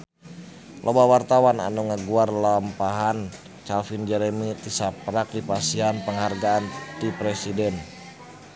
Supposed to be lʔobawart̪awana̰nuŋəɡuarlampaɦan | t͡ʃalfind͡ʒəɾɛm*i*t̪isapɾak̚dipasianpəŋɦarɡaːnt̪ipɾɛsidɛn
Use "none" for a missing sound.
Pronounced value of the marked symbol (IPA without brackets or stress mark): i